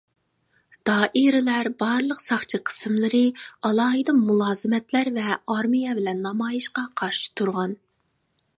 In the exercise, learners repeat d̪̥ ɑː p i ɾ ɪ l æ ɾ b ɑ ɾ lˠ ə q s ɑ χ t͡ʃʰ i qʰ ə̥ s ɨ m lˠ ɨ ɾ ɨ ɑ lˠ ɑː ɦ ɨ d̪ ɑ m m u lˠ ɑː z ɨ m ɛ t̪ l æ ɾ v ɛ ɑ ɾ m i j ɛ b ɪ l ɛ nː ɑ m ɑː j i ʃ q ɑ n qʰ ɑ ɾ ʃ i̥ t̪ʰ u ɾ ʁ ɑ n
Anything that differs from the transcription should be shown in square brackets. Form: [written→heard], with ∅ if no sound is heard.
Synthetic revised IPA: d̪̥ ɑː [p→ʔ] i ɾ ɪ l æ ɾ b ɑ ɾ lˠ ə q s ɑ χ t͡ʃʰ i qʰ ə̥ s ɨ m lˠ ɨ ɾ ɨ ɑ lˠ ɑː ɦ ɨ d̪ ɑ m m u lˠ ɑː z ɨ m ɛ t̪ l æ ɾ v ɛ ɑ ɾ m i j ɛ b ɪ l ɛ nː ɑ m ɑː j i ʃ q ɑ [n→∅] qʰ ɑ ɾ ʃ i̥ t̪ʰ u ɾ ʁ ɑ n